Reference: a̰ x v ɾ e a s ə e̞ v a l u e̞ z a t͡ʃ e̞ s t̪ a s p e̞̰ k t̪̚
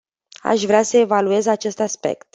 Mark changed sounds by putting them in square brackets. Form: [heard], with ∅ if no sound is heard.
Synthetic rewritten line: a̰ [ʃ] v ɾ e a s ə e̞ v a l u e̞ z a t͡ʃ e̞ s t̪ a s p e̞̰ k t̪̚